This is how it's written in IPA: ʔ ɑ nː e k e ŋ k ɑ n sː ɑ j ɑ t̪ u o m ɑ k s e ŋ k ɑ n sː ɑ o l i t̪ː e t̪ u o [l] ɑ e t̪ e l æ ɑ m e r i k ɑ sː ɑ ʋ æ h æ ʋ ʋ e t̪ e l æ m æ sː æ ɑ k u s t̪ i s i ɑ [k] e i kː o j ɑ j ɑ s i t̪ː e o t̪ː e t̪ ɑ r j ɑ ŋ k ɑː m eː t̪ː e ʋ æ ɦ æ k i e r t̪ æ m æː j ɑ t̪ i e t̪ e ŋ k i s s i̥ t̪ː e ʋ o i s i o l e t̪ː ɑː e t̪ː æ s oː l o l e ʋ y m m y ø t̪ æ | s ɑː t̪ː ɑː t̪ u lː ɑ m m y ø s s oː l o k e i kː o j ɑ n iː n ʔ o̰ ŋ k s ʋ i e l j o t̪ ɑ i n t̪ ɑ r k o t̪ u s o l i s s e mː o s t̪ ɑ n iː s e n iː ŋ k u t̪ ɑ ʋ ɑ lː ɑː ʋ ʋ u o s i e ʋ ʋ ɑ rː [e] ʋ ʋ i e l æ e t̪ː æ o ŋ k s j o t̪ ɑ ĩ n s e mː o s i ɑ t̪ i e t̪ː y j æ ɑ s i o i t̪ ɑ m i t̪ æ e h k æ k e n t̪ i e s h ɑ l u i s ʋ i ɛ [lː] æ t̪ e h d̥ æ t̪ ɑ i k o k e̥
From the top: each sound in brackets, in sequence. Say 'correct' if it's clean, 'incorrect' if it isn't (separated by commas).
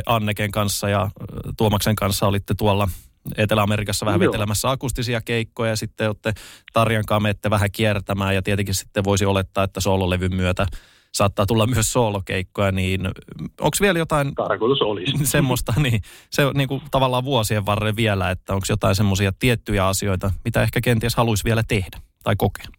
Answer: incorrect, correct, correct, incorrect